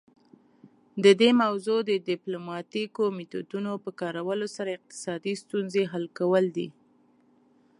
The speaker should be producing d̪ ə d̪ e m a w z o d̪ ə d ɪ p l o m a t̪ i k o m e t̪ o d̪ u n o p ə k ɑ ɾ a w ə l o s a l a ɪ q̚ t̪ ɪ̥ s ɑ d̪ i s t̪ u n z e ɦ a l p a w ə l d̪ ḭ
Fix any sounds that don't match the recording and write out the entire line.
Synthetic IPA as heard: d̪ ə d̪ e m a w z o d̪ ə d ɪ p l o m ɑ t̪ i k o m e t̪ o d̪ u n o p ə k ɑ ɾ a w ə l o s a ɾ a ɪ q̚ t̪ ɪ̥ s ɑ d̪ i s t̪ u n z e ɦ a l k a w ə l d̪ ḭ